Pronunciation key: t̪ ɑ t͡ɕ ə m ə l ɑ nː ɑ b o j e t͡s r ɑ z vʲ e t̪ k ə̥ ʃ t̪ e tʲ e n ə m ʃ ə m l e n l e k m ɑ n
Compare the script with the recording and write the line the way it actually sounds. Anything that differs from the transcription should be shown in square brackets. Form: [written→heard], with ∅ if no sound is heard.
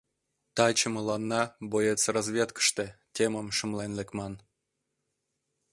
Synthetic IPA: t̪ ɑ t͡ɕ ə m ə l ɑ nː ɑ b o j e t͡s r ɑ z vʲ e t̪ k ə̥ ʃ t̪ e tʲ e [n→m] ə m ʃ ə m l e n l e k m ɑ n